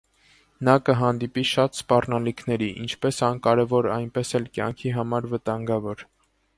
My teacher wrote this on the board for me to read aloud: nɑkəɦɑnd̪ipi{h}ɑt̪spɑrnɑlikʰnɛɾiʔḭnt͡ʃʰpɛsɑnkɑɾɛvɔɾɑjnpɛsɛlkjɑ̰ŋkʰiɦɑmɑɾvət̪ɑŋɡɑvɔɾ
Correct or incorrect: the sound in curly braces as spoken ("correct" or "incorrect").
incorrect